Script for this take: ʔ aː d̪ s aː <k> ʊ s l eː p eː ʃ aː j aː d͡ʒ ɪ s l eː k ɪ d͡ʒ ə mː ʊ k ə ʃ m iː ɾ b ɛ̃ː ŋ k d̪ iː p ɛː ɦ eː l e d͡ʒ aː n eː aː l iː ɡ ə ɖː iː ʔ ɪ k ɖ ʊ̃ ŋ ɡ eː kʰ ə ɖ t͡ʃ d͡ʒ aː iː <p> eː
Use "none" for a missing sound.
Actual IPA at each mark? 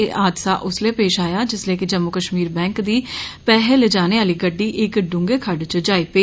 ʔ, p

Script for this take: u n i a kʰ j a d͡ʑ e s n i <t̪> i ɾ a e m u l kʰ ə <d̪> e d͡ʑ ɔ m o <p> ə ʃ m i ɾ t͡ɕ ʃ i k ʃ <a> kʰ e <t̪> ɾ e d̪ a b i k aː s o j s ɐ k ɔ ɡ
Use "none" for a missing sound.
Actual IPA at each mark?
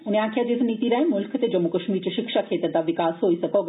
t̪, t̪, k, a, t̪

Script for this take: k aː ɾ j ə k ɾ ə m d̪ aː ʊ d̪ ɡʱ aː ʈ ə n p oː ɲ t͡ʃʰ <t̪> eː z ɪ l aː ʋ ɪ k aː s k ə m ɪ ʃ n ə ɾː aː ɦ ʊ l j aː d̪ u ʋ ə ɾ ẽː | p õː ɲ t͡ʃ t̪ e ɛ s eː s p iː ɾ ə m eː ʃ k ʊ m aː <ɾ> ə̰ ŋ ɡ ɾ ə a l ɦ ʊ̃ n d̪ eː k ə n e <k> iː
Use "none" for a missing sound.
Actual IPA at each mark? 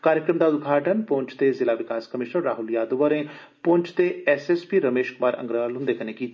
t̪, ɾ, k

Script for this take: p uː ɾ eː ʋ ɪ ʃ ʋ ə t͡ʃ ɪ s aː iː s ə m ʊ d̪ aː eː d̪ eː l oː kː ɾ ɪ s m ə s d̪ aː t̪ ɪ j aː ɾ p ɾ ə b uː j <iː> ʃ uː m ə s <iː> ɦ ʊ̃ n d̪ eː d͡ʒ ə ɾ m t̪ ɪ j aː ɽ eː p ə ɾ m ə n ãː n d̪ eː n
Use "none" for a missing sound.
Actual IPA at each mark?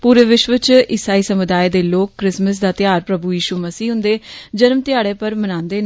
iː, iː

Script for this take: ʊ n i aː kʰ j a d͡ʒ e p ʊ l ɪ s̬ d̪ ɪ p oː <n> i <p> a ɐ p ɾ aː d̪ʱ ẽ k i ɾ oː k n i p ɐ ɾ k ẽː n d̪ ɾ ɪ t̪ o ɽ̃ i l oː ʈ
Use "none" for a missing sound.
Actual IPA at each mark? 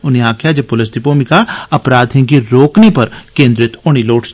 m, k

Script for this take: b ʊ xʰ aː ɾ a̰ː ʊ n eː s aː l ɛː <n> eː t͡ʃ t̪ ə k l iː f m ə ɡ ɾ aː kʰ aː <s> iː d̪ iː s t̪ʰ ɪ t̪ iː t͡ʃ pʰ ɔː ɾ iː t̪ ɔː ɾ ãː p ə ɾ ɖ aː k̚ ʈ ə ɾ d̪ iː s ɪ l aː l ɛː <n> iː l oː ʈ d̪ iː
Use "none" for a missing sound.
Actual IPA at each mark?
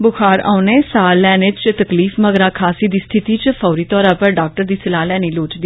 n, s, n

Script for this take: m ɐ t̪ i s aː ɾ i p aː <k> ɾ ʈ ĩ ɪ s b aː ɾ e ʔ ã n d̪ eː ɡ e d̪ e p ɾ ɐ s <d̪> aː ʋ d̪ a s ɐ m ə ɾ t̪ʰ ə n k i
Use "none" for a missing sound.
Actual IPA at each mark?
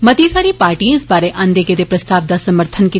none, t̪

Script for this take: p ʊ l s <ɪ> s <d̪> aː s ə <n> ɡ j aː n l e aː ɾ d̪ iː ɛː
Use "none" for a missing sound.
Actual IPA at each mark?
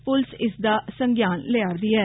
ɪ, d̪, ŋ

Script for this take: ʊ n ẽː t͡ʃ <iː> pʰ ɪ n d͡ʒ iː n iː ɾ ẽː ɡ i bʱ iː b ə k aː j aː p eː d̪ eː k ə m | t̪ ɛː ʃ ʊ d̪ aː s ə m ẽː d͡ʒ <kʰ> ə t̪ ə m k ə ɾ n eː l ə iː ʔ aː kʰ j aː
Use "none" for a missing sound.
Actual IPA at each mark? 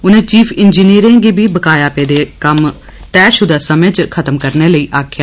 iː, kʰ

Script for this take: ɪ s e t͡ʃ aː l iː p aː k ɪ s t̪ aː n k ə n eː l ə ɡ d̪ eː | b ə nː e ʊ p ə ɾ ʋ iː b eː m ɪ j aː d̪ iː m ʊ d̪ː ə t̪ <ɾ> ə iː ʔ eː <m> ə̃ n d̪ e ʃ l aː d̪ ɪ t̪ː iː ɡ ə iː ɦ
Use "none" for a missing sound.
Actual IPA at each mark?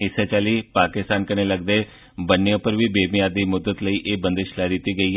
l, b

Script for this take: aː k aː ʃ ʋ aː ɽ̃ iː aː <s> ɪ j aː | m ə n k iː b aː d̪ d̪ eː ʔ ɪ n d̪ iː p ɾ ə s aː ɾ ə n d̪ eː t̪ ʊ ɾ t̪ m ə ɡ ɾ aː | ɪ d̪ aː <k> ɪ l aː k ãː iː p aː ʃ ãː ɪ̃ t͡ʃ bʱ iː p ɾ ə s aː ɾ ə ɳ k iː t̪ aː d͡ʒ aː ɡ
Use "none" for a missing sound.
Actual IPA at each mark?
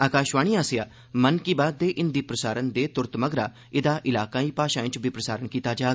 s, ʔ

